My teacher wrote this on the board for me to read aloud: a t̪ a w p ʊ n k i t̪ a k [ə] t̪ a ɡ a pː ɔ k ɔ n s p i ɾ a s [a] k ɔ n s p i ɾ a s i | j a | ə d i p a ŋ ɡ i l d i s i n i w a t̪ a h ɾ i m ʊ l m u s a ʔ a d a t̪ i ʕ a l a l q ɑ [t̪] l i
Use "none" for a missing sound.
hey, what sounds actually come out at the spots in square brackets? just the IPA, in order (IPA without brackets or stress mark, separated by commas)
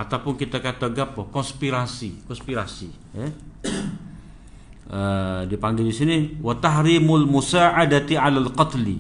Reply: a, i, t̪